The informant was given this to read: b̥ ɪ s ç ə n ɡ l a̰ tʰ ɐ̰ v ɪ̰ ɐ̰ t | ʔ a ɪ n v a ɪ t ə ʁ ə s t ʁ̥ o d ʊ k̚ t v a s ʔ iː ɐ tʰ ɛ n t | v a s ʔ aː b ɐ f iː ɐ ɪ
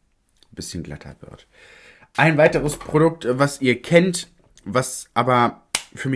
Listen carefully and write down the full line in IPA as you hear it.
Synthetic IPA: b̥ ɪ s ç ə n ɡ l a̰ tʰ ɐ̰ v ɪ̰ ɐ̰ t | ʔ a ɪ n v a ɪ t ə ʁ ə s p ʁ̥ o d ʊ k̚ t v a s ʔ iː ɐ kʰ ɛ n t | v a s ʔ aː b ɐ f yː ɐ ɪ

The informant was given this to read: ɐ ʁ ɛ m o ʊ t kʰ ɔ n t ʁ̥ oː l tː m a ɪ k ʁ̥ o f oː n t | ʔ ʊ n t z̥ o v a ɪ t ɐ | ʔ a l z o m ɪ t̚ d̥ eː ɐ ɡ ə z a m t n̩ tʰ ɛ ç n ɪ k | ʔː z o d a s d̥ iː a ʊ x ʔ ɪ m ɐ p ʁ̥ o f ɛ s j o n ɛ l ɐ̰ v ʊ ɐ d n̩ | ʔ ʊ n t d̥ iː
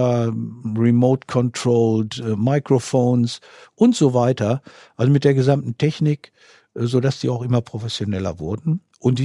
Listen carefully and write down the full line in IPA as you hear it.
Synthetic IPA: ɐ ʁ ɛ m o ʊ t kʰ ɔ n t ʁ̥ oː l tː m a ɪ k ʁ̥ o f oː n s | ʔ ʊ n t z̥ o v a ɪ t ɐ | ʔ a l z o m ɪ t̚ d̥ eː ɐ ɡ ə z a m t n̩ tʰ ɛ ç n ɪ k | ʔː z o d a s d̥ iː a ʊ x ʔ ɪ m ɐ p ʁ̥ o f ɛ s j o n ɛ l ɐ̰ v ʊ ɐ d n̩ | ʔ ʊ n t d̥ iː

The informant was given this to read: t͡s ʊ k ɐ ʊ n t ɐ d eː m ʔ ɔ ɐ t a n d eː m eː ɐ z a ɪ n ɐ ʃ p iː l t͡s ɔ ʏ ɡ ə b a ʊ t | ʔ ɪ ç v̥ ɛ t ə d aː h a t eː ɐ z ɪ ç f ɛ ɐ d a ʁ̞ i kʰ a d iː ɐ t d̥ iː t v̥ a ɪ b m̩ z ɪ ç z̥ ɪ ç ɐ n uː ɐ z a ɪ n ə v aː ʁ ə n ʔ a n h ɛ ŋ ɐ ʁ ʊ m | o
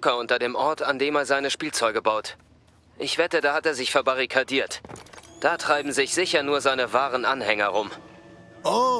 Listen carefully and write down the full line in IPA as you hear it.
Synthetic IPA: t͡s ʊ k ɐ ʊ n t ɐ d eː m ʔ ɔ ɐ t a n d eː m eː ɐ z a ɪ n ə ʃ p iː l t͡s ɔ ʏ ɡ ə b a ʊ t | ʔ ɪ ç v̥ ɛ t ə d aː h a t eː ɐ z ɪ ç f ɛ ɐ b a ʁ̞ i kʰ a d iː ɐ t d̥ aː t ʁ̥ a ɪ b m̩ z ɪ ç z̥ ɪ ç ɐ n uː ɐ z a ɪ n ə v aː ʁ ə n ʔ a n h ɛ ŋ ɐ ʁ ʊ m | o

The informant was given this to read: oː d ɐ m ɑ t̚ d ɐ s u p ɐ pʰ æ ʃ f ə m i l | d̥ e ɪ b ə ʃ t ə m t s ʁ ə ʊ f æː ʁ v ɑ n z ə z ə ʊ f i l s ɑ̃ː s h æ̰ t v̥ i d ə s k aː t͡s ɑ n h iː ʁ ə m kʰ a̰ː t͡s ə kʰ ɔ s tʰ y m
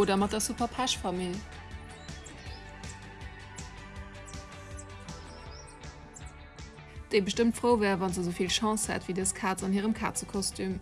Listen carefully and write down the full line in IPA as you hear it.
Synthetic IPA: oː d ɐ m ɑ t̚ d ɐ s u p ɐ pʰ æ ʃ f ɑ m i l | d̥ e ɪ b ə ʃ t ə m t f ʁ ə ʊ v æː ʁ v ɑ n z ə z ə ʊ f i l ʃ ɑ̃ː s h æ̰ t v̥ i d ə s kʰ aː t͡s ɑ n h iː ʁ ə m kʰ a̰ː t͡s ə kʰ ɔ s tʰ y m

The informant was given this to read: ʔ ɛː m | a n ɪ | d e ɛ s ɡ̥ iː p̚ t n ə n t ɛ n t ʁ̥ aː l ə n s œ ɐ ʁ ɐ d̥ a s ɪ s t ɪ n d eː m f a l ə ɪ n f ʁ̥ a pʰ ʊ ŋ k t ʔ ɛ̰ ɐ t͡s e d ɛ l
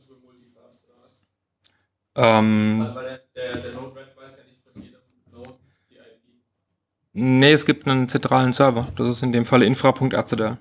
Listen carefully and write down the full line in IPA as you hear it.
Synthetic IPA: ʔ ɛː m | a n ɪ | n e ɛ s ɡ̥ iː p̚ t n ə n t͡s ɛ n t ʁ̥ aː l ə n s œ ɐ v ɐ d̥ a s ɪ s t ɪ n d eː m f a l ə ɪ n f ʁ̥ a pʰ ʊ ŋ k t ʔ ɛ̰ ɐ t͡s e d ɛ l

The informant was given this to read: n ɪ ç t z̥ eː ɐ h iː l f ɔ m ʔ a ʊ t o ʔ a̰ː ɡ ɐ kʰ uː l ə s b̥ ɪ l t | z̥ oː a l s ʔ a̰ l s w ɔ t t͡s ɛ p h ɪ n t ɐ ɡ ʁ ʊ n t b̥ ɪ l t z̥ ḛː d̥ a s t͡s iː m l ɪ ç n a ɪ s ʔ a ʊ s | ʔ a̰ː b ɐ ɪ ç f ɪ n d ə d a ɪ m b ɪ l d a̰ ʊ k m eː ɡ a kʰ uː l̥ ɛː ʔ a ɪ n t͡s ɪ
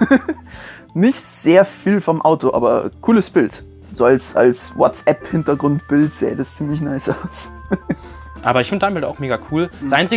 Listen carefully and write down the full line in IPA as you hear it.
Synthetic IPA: n ɪ ç t z̥ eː ɐ f iː l f ɔ m ʔ a ʊ t o ʔ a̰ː b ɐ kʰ uː l ə s b̥ ɪ l t | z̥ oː a l s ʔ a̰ l s w ɔ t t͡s ɛ p h ɪ n t ɐ ɡ ʁ ʊ n t b̥ ɪ l t z̥ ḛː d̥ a s t͡s iː m l ɪ ç n a ɪ s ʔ a ʊ s | ʔ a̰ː b ɐ ɪ ç f ɪ n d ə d a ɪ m b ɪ l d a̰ ʊ x m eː ɡ a kʰ uː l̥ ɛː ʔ a ɪ n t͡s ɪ

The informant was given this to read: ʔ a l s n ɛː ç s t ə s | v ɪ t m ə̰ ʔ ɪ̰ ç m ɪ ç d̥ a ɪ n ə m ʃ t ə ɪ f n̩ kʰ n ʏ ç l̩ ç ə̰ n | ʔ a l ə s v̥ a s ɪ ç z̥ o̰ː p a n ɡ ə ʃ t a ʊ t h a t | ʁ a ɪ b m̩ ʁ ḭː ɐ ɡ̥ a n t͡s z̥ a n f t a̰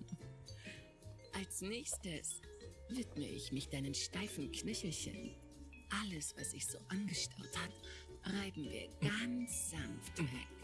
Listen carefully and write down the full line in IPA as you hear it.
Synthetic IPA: ʔ a l s n ɛː ç s t ə s | v ɪ t m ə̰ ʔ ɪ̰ ç m ɪ ç d̥ a ɪ n ə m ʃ t a ɪ f n̩ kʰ n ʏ ç l̩ ç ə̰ n | ʔ a l ə s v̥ a s ɪ ç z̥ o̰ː ʔ a n ɡ ə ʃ t a ʊ t h a t | ʁ a ɪ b m̩ v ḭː ɐ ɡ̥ a n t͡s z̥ a n f t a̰

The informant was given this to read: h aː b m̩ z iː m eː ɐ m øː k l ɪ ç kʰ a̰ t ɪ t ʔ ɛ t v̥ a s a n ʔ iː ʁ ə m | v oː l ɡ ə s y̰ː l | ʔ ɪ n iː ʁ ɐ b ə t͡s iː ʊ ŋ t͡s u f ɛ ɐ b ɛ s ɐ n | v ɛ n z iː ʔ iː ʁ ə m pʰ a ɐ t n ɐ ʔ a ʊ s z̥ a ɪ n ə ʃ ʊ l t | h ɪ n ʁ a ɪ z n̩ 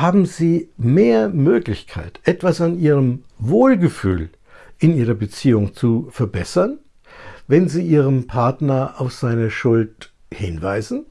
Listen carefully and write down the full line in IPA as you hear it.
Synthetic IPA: h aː b m̩ z iː m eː ɐ m øː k l ɪ ç kʰ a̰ ɪ t ʔ ɛ t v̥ a s a n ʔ iː ʁ ə m | v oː l ɡ ə f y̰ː l | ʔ ɪ n iː ʁ ɐ b ə t͡s iː ʊ ŋ t͡s u f ɛ ɐ b ɛ s ɐ n | v ɛ n z iː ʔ iː ʁ ə m pʰ a ɐ t n ɐ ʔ a ʊ f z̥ a ɪ n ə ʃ ʊ l t | h ɪ n v a ɪ z n̩

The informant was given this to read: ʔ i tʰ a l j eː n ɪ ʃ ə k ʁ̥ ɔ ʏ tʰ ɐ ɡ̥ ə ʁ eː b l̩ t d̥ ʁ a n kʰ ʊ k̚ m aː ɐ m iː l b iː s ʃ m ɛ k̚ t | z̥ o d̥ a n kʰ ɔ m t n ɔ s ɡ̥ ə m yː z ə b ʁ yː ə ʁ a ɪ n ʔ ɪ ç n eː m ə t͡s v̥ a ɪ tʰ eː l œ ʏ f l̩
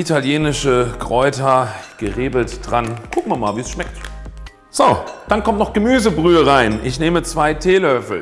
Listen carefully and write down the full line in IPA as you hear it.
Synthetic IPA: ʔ i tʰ a l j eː n ɪ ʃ ə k ʁ̥ ɔ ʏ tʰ ɐ ɡ̥ ə ʁ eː b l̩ t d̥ ʁ a n kʰ ʊ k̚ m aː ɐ m aː l v iː s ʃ m ɛ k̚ t | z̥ o d̥ a n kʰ ɔ m t n ɔ χ ɡ̥ ə m yː z ə b ʁ yː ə ʁ a ɪ n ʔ ɪ ç n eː m ə t͡s v̥ a ɪ tʰ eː l œ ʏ f l̩

